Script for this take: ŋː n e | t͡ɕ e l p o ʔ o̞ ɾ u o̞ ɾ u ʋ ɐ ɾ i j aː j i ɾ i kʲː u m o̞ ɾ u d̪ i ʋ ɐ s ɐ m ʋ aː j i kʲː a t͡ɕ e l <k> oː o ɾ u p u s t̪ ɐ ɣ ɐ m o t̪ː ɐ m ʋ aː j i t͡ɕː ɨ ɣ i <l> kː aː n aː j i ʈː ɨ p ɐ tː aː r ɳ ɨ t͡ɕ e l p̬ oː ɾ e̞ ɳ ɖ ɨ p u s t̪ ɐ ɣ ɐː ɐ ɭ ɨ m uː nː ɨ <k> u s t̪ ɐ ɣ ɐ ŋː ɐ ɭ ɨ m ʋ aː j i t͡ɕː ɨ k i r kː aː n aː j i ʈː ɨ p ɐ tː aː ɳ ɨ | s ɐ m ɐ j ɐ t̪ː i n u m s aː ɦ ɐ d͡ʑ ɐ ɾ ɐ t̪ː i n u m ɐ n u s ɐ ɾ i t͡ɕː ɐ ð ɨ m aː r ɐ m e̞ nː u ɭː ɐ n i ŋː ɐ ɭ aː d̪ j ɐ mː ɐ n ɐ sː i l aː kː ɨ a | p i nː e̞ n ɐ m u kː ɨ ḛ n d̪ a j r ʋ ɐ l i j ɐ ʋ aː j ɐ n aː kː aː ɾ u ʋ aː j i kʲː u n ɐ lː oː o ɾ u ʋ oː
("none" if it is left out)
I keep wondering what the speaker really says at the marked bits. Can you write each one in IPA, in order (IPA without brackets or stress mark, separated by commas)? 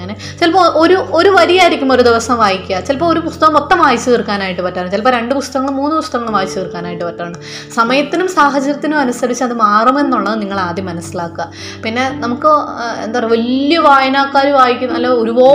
p, r, p